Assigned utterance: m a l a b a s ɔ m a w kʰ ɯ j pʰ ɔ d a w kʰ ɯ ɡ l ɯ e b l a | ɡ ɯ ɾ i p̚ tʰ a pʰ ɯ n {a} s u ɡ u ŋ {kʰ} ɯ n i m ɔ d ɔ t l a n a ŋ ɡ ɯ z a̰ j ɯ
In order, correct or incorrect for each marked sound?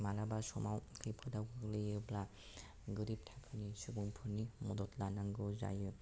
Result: incorrect: i, incorrect: pʰ

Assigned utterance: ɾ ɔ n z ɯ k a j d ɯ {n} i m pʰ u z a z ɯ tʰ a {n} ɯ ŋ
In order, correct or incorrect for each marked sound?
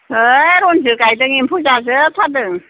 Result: incorrect: ŋ, incorrect: d

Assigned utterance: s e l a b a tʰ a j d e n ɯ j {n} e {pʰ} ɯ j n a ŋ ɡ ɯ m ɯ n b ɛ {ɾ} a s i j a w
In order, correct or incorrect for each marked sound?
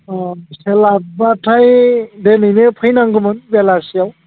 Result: correct, correct, incorrect: l

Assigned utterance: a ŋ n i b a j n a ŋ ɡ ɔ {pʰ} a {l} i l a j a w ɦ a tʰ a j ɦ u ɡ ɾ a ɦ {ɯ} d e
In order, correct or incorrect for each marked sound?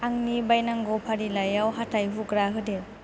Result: correct, incorrect: ɾ, correct

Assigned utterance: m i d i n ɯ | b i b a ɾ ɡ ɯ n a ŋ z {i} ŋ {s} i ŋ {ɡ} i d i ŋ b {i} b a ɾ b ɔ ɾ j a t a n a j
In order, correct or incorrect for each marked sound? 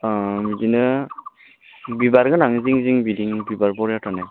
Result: correct, incorrect: z, incorrect: b, correct

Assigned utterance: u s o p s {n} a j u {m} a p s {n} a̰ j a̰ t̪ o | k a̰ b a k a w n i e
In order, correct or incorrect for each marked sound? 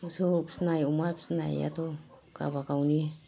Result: correct, correct, correct

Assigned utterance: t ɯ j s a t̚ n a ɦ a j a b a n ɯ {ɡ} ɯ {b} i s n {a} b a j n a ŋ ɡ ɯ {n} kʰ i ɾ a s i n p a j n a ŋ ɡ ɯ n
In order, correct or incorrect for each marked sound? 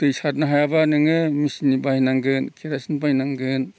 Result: incorrect: ŋ, incorrect: m, incorrect: i, correct

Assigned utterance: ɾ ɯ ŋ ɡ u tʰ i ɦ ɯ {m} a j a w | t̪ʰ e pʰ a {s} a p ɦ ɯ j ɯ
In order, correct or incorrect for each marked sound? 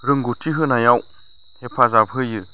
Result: incorrect: n, incorrect: z

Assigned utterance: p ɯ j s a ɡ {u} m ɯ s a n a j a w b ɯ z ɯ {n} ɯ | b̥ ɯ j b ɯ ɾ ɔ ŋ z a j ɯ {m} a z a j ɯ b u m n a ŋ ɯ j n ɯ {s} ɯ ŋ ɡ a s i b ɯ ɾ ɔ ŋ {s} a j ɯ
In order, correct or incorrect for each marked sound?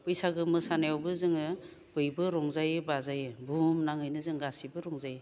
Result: incorrect: ɯ, incorrect: ŋ, incorrect: b, incorrect: z, incorrect: z

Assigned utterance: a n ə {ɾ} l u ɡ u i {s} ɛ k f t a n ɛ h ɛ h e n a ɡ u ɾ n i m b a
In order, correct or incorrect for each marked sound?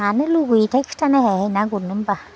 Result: incorrect: none, incorrect: t

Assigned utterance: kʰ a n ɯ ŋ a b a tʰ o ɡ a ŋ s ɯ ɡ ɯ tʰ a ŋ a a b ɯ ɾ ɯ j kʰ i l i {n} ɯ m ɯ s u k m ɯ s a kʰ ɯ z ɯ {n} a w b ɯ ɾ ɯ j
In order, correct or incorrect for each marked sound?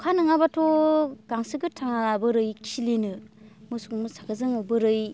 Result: correct, incorrect: ŋ

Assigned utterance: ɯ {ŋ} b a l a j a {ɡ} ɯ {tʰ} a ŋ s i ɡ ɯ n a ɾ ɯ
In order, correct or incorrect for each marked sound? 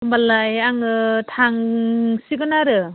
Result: incorrect: m, incorrect: ŋ, correct

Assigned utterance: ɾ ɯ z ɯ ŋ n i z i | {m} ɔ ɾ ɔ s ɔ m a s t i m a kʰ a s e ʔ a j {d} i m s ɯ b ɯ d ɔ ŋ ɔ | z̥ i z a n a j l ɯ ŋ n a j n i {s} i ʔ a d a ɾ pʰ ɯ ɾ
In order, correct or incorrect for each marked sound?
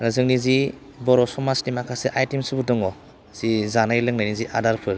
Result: incorrect: b, incorrect: t, incorrect: z

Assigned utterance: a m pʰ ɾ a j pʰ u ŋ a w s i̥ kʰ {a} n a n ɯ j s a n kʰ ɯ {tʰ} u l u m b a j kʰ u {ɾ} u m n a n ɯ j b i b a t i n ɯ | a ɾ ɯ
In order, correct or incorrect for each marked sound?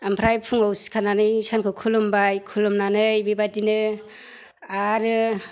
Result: correct, incorrect: kʰ, incorrect: l

